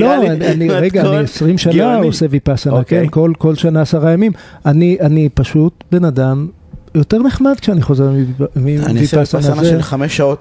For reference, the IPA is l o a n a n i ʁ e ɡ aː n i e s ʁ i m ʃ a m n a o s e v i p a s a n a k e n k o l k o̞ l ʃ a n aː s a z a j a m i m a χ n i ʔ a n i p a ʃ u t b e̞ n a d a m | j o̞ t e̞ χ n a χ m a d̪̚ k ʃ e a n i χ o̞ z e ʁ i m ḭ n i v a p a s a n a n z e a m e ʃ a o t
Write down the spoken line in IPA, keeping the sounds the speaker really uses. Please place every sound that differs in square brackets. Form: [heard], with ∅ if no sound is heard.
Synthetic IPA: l o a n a n i ʁ e ɡ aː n i e s ʁ i m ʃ a [∅] n a o s e v i p a s a n a k e n k o l k o̞ l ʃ a n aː s a [ʁ] a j a m i m a [∅] n i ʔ a n i p a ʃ u t b e̞ n a d a m | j o̞ t e̞ [ʁ] n [e] χ m a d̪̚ k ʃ e a n i χ o̞ z e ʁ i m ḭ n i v [i] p a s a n a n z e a m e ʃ a o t